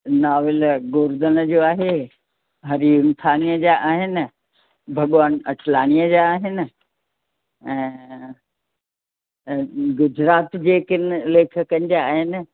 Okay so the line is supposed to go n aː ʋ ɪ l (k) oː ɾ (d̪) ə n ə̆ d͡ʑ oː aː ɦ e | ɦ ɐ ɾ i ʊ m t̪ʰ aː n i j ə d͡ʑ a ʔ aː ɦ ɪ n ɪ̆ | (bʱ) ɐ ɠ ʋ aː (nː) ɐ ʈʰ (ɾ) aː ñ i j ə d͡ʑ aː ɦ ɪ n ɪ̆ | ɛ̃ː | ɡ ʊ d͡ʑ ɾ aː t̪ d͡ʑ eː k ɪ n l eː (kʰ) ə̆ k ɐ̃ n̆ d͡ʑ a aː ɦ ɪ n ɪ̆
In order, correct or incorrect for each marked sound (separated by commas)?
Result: incorrect, correct, correct, incorrect, incorrect, correct